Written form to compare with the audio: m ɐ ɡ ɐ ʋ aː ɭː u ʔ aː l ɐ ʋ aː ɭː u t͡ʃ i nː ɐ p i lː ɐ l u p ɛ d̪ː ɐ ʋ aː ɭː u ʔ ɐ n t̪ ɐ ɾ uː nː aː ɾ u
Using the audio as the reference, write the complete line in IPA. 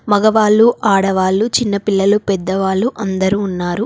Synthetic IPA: m ɐ ɡ ɐ ʋ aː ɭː u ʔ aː ɽ ɐ ʋ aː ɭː u t͡ʃ i nː ɐ p i lː ɐ l u p ɛ d̪ː ɐ ʋ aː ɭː u ʔ ɐ n d̪ ɐ ɾ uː nː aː ɾ u

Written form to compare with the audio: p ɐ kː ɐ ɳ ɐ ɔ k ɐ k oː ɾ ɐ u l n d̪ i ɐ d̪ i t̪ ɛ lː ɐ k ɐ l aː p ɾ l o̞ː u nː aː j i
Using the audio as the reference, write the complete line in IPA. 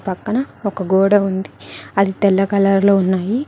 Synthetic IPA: p ɐ kː ɐ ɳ ɐ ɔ k ɐ ɡ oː ɽ ɐ u n d̪ i ɐ d̪ i t̪ ɛ lː ɐ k ɐ l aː ɾ l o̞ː u nː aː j i

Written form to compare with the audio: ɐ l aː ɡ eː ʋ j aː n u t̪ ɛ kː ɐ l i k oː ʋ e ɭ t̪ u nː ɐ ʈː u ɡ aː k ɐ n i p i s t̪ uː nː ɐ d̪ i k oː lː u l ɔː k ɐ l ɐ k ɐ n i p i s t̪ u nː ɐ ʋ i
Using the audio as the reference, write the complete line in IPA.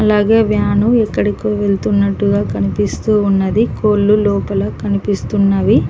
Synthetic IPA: ɐ l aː ɡ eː ʋ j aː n u ɛ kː ɐ ɽ i k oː ʋ e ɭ t̪ u nː ɐ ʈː u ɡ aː k ɐ n i p i s t̪ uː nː ɐ d̪ i k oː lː u l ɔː p ɐ l ɐ k ɐ n i p i s t̪ u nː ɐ ʋ i

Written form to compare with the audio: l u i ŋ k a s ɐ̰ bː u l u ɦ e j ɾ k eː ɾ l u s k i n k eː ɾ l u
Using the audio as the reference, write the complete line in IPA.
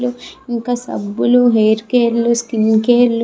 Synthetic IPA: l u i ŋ k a s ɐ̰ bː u l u ɦ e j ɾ k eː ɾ l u s k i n k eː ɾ l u

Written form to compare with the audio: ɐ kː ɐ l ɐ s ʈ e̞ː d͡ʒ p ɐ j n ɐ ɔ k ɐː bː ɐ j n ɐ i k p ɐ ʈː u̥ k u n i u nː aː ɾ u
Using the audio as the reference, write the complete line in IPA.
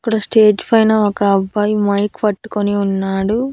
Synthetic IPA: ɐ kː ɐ ɽ ɐ s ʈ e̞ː d͡ʒ p ɐ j n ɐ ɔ k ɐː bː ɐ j m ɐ j k p ɐ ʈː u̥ k o n i u nː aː ɽ u

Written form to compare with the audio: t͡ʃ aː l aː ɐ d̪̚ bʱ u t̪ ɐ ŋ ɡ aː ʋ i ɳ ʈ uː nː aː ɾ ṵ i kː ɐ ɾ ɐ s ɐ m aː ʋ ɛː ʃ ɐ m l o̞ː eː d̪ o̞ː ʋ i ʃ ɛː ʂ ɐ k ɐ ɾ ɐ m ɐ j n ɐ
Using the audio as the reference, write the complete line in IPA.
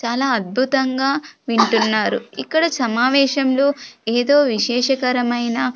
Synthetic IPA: t͡ʃ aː l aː ɐ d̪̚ bʱ u t̪ ɐ ŋ ɡ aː ʋ i ɳ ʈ u nː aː ɾ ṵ i kː ɐ ɽ ɐ s ɐ m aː ʋ ɛː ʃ ɐ m l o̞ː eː d̪ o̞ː ʋ i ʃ ɛː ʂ ɐ k ɐ ɾ ɐ m ɐ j n ɐ

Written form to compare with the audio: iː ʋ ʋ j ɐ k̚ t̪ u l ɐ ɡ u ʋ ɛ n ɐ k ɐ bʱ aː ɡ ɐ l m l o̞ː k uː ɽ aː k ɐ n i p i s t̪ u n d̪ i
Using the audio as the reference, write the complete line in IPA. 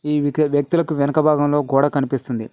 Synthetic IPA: iː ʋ ʋ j ɐ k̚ t̪ u l ɐ k u ʋ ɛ n ɐ k ɐ bʱ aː ɡ ɐ m l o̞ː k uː ɽ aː k ɐ n i p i s t̪ u n d̪ i

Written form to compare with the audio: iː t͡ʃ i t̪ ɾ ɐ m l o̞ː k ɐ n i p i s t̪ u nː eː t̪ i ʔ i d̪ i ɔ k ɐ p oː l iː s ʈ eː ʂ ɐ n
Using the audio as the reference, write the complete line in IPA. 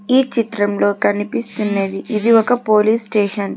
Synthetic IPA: iː t͡ʃ i t̪ ɾ ɐ m l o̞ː k ɐ n i p i s t̪ u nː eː d̪ i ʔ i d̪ i ɔ k ɐ p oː l iː s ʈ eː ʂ ɐ n

